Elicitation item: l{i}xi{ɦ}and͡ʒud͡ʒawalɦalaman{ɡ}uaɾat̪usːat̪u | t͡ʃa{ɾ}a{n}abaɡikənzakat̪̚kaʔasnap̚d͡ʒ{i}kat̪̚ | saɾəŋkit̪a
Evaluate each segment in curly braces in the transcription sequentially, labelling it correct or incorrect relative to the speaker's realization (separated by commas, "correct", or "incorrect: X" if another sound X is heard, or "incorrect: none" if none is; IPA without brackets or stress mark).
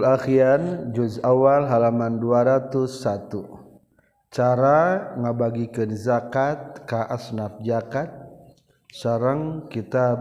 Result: incorrect: a, incorrect: none, incorrect: d, correct, incorrect: ŋ, incorrect: a